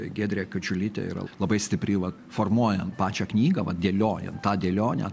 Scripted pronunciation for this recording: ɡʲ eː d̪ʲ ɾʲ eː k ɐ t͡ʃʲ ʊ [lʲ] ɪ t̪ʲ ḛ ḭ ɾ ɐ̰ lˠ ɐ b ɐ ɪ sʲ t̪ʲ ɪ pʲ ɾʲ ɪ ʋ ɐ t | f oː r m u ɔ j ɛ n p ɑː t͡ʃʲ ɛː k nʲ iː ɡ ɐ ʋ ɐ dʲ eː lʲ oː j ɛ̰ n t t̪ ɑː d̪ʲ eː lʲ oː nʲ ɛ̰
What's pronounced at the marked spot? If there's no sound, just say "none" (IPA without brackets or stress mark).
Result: lʲ